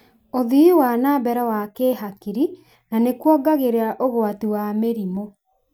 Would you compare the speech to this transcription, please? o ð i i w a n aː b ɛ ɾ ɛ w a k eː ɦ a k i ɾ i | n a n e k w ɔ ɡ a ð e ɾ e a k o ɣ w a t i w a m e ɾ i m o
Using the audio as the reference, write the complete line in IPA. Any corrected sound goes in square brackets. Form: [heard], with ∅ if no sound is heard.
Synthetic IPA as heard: o ð i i w a n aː b ɛ ɾ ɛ w a k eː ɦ a k i ɾ i | n a n e k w ɔ ɡ a [ɣ] e ɾ e a [ʔ] o ɣ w a t i w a m e ɾ i m o